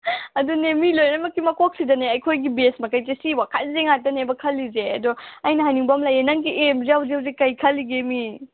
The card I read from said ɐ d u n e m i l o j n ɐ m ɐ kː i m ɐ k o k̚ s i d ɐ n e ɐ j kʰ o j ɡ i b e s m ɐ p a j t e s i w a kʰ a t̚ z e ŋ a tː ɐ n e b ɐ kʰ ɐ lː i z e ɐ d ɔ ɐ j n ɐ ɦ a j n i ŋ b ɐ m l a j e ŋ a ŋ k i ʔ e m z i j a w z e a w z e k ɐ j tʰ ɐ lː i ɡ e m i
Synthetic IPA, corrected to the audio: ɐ d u n e m i l o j n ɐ m ɐ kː i m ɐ k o k̚ s i d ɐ n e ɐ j kʰ o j ɡ i b e s m ɐ k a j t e s i w a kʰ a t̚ z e ŋ a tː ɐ n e b ɐ kʰ ɐ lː i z e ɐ d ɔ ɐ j n ɐ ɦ a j n i ŋ b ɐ m l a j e n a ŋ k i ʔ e m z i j a w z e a w z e k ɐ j kʰ ɐ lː i ɡ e m i